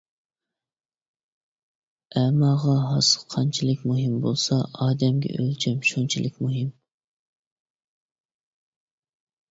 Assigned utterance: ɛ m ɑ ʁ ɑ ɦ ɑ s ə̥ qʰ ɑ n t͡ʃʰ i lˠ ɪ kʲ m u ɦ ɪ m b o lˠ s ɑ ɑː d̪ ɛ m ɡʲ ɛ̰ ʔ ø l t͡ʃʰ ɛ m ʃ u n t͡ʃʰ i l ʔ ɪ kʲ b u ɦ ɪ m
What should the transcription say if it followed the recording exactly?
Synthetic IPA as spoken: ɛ m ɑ ʁ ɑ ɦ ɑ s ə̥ qʰ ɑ n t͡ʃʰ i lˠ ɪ kʲ m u ɦ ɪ m b o lˠ s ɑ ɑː d̪ ɛ m ɡʲ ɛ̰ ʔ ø l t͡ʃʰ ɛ m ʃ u n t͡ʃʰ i l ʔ ɪ kʲ m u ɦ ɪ m

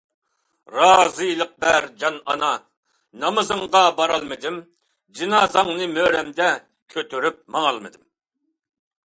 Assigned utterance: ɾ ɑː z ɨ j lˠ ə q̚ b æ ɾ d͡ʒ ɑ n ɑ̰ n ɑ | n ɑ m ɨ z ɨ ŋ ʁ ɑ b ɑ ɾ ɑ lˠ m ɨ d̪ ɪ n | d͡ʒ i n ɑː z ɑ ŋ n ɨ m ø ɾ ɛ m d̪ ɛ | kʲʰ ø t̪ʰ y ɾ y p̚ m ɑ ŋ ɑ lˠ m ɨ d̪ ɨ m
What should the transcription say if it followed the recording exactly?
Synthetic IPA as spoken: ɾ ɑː z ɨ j lˠ ə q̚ b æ ɾ d͡ʒ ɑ n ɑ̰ n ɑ | n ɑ m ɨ z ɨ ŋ ʁ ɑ b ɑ ɾ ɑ lˠ m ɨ d̪ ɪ m | d͡ʒ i n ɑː z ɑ ŋ n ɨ m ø ɾ ɛ m d̪ ɛ | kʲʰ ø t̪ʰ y ɾ y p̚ m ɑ ŋ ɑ lˠ m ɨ d̪ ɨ m

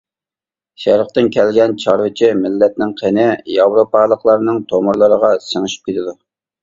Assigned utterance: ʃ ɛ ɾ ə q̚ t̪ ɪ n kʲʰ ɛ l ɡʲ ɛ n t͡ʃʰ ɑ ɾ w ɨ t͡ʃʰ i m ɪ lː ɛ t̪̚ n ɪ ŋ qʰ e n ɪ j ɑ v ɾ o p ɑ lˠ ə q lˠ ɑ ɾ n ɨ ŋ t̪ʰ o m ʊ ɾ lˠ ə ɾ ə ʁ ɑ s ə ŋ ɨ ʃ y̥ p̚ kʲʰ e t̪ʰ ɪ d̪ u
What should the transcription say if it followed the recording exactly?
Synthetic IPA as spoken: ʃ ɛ ɾ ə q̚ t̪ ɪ n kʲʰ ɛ l ɡʲ ɛ n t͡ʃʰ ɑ ɾ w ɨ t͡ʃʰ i m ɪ lː ɛ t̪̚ n ɪ ŋ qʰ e n ɪ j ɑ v ɾ o p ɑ lˠ ə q lˠ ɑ ɾ n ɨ ŋ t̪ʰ o m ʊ ɾ lˠ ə ɾ ə ʁ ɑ s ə ŋ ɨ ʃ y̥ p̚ kʲ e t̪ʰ ɪ d̪ u

